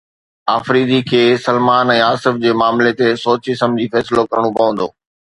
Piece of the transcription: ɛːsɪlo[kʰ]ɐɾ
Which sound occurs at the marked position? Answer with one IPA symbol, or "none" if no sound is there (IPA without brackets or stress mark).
k